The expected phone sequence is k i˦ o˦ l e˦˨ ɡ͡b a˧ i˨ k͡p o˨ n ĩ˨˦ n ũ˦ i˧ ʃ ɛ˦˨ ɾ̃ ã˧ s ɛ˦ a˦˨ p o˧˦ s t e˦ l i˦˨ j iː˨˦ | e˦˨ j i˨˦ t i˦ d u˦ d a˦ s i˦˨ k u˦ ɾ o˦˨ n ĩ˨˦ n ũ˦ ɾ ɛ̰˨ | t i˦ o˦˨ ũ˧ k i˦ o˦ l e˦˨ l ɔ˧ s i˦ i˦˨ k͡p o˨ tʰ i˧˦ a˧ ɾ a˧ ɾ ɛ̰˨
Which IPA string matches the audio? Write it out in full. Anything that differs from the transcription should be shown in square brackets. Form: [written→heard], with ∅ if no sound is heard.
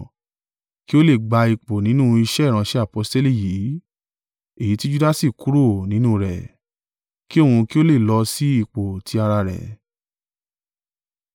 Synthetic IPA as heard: k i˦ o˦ l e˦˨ ɡ͡b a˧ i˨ k͡p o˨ n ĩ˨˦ n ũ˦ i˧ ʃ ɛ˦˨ ɾ̃ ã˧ [s→ʃ] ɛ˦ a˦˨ p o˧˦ s t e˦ l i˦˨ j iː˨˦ | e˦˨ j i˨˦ t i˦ [d→d͡ʒ] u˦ d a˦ s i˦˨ k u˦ ɾ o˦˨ n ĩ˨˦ n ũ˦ ɾ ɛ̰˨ | [t→k] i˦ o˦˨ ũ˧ k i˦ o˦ l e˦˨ l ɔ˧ s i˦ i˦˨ k͡p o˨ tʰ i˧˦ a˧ ɾ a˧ ɾ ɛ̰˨